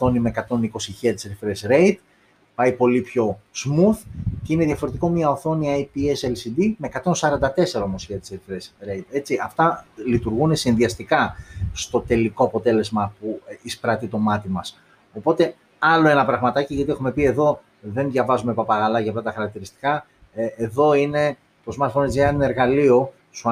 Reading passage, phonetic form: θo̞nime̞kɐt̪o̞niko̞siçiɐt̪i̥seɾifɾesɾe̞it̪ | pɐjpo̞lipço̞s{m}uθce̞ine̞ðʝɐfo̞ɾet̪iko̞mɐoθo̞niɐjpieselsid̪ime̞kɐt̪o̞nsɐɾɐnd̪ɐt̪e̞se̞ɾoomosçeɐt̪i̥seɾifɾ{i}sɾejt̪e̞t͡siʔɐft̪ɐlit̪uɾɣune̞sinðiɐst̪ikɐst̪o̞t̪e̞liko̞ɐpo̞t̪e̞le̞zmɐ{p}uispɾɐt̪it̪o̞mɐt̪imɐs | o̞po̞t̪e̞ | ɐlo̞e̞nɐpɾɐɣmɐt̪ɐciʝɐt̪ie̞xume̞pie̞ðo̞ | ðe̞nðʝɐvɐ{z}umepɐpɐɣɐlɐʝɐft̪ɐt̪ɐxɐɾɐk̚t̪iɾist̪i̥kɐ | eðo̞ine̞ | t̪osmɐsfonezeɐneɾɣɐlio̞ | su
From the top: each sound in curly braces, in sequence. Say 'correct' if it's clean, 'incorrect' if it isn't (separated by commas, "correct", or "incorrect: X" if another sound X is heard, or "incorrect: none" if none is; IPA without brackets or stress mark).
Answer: correct, incorrect: e, correct, correct